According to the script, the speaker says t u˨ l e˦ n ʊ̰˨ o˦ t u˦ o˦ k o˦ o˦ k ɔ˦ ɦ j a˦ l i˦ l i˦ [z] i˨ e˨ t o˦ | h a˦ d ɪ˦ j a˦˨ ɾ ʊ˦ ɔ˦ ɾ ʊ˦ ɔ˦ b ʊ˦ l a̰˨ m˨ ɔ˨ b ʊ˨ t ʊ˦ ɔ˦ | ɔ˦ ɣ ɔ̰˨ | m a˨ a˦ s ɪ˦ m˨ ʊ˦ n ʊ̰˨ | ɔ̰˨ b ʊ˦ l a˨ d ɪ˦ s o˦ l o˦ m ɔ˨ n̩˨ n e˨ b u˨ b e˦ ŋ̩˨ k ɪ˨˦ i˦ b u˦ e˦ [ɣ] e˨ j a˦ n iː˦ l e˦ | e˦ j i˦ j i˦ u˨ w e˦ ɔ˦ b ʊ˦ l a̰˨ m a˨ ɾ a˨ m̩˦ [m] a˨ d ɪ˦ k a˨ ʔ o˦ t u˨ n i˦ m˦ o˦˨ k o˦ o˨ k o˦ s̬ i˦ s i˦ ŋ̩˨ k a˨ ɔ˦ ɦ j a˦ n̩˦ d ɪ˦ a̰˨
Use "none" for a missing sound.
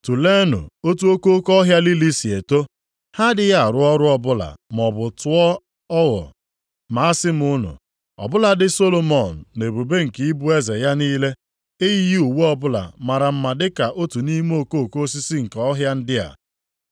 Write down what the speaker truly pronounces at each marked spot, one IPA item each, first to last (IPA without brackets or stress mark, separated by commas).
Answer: s, z, m